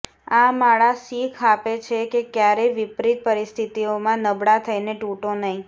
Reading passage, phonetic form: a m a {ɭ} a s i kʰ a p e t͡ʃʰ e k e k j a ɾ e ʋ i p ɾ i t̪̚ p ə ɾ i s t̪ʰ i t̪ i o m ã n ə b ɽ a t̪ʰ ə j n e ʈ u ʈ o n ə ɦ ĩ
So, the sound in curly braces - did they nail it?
yes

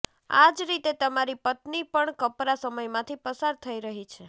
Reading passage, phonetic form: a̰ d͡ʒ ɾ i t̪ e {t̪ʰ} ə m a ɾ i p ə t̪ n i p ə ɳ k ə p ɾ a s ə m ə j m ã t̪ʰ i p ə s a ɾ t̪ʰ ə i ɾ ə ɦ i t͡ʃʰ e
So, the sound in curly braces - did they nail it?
no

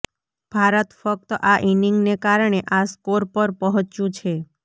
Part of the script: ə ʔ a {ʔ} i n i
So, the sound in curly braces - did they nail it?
yes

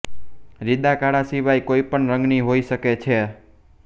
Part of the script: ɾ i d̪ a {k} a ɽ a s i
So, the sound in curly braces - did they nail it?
yes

